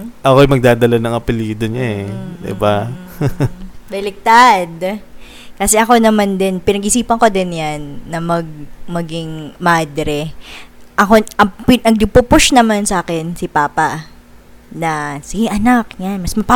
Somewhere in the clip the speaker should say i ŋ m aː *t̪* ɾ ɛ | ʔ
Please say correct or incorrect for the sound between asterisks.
incorrect